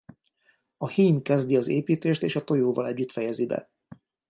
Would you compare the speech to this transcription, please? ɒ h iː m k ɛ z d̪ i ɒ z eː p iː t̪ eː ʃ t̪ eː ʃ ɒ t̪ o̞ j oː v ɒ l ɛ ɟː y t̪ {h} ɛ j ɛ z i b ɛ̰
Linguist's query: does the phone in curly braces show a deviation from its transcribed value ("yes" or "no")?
yes